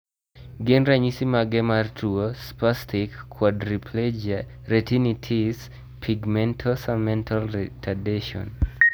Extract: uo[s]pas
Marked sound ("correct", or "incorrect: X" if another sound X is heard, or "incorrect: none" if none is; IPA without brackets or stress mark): correct